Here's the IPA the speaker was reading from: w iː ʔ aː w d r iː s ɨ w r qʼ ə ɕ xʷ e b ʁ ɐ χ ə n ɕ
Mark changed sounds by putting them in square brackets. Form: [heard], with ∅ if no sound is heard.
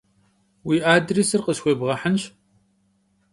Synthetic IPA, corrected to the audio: w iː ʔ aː [∅] d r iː s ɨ [∅] r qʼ ə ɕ xʷ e b ʁ ɐ [ħ] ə n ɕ